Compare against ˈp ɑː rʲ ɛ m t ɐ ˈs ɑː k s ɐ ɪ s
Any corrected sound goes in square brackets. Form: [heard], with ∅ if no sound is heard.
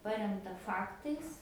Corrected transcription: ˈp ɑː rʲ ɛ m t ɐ [ˈf] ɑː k [t] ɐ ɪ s